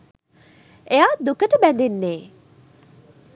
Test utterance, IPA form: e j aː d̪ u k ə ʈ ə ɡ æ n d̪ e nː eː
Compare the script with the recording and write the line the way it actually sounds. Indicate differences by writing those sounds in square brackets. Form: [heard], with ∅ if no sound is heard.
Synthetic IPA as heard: e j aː d̪ u k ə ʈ ə [b] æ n d̪ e nː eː